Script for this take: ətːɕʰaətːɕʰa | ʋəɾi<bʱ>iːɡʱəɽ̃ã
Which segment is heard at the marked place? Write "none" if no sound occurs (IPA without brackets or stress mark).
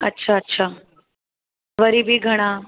bʱ